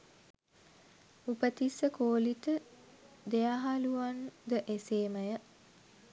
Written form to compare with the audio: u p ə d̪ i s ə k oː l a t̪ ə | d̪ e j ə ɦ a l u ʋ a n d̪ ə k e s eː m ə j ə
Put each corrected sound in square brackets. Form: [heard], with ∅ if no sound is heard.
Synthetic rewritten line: u p ə [t̪] i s ə k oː l [i] t̪ ə | d̪ e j [a] ɦ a l u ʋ a n d̪ ə [ʔ] e s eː m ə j ə

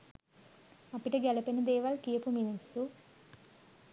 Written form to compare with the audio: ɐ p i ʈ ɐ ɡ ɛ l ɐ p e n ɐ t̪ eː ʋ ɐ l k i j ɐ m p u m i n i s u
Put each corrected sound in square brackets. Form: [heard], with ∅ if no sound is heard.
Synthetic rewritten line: ɐ p i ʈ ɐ ɡ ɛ l ɐ p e n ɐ [d̪] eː ʋ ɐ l k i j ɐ [∅] p u m i n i s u

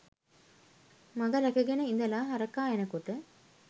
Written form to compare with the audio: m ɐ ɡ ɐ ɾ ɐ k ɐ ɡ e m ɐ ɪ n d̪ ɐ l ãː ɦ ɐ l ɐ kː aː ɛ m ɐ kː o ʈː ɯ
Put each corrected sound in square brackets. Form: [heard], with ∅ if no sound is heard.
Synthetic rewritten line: m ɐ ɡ ɐ ɾ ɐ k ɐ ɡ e [n] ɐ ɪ n d̪ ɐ l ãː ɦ ɐ [ɾ] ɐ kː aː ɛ [n] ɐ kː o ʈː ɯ

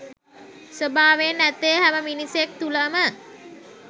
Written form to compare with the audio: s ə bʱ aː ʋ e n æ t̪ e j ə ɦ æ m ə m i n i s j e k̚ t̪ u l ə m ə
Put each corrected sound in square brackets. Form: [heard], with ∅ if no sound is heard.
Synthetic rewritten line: s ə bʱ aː ʋ e n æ t̪ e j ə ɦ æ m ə m i n i s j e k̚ t̪ u l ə m ə

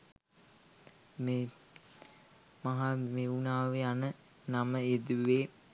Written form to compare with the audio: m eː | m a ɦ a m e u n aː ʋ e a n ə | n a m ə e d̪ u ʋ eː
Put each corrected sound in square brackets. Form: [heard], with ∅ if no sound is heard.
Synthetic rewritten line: m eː | m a ɦ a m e u n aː ʋ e a n ə | n a m ə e d̪ u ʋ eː

